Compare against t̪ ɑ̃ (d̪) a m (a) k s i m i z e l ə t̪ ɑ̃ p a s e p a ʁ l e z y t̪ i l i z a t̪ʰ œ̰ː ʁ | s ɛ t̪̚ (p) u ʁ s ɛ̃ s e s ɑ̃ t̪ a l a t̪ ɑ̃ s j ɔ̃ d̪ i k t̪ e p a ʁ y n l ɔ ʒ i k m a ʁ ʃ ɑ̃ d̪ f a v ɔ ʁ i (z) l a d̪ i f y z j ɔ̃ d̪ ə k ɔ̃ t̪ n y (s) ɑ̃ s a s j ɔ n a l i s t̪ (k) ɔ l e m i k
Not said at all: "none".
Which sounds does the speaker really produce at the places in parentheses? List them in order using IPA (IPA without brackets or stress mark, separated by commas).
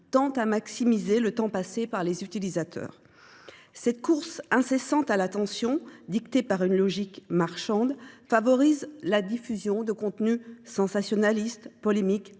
t̪, a, k, z, s, p